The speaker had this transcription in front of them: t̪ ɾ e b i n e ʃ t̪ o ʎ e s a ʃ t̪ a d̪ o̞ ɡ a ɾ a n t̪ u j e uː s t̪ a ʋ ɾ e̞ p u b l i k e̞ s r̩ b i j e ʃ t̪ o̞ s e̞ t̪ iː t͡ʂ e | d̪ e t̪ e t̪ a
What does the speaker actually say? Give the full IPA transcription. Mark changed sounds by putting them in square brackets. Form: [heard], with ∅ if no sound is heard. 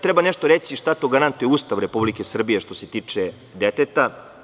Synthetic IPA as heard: t̪ ɾ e b [a] n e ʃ t̪ o [ɾ] e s [i] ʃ t̪ a [t̪] o̞ ɡ a ɾ a n t̪ u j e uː s t̪ a ʋ ɾ e̞ p u b l i k e̞ s r̩ b i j e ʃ t̪ o̞ s e̞ t̪ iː t͡ʂ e | d̪ e t̪ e t̪ a